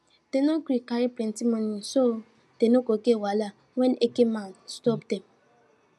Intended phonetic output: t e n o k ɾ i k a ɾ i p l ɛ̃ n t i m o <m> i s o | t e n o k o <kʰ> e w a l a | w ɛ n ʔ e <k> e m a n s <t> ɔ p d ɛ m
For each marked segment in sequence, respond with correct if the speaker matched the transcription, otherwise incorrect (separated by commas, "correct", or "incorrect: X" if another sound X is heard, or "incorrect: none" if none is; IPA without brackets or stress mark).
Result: incorrect: n, incorrect: k, correct, correct